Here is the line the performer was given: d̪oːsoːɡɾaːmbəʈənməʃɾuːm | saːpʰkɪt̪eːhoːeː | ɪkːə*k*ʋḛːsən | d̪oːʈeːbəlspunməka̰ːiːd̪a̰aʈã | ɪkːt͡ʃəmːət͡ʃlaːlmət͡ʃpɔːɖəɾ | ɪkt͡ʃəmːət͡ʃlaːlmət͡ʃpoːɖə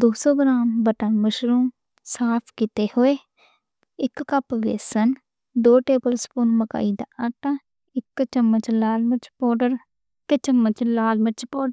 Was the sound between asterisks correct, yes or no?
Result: no